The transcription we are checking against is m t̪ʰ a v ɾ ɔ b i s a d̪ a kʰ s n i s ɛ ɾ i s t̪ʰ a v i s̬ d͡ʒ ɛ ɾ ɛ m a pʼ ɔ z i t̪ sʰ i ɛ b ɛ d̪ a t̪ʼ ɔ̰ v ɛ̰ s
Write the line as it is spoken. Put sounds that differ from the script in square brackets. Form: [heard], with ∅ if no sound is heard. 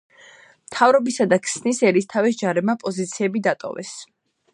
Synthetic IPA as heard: m t̪ʰ a v ɾ ɔ b i s a d̪ a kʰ s n i s ɛ ɾ i s t̪ʰ a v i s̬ d͡ʒ [a] ɾ ɛ m a pʼ ɔ z i t̪ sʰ i ɛ b [i] d̪ a t̪ʼ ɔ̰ v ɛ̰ s